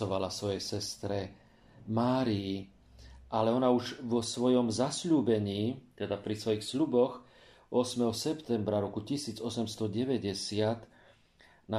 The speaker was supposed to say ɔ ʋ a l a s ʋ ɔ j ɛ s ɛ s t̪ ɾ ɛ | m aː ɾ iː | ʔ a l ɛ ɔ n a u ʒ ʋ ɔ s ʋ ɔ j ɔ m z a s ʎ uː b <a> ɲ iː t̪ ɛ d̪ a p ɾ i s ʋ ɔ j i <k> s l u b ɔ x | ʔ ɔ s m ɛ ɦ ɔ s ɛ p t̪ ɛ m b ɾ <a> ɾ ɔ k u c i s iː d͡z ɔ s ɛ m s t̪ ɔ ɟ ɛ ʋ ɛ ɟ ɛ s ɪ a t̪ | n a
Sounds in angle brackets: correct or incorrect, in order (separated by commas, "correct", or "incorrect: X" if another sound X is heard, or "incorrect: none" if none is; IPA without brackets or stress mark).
incorrect: ɛ, incorrect: x, correct